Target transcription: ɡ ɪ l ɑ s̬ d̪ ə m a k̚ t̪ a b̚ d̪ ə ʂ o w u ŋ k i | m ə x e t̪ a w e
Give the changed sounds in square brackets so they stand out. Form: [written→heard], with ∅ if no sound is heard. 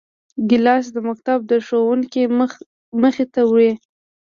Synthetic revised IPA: ɡ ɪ l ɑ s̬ d̪ ə m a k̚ t̪ a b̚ d̪ ə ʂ o w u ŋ k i | m ə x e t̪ a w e